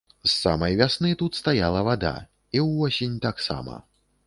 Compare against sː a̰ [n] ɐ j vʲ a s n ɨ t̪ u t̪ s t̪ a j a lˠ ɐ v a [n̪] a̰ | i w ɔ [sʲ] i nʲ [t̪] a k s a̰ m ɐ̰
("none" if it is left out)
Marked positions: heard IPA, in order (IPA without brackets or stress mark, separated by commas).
m, d̪, sʲ, t̪